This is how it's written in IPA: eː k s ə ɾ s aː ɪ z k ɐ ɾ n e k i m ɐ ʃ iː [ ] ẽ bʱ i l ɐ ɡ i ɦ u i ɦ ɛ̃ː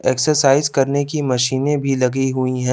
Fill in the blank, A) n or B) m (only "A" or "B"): A